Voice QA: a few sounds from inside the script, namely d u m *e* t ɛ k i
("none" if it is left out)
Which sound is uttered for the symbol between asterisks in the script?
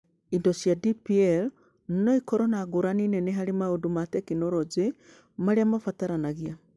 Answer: a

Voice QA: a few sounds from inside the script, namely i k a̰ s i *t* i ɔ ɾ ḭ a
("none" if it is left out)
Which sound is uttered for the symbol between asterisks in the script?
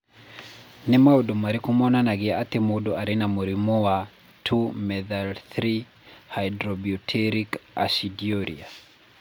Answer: d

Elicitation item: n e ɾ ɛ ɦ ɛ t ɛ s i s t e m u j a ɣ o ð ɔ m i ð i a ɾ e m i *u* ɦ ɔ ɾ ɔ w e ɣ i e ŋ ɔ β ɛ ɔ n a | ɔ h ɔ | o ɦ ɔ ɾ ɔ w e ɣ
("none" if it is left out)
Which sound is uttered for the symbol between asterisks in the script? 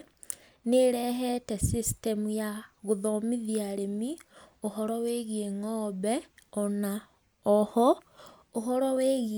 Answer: o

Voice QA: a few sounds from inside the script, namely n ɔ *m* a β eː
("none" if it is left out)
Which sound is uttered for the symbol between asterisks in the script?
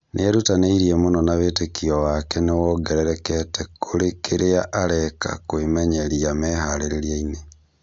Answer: n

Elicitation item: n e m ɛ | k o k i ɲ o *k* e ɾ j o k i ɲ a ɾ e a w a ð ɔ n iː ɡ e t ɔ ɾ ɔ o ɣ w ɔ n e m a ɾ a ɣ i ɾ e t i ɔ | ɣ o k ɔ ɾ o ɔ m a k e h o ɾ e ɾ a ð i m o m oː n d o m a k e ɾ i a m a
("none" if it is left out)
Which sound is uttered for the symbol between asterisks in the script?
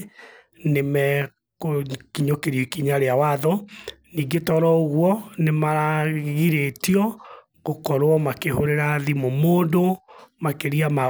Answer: k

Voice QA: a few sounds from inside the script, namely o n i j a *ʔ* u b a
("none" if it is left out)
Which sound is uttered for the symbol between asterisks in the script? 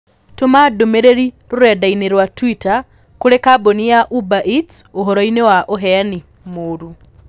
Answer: ʔ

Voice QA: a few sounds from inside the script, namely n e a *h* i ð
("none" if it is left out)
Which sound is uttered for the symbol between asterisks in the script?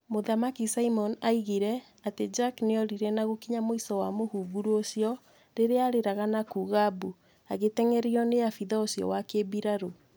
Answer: f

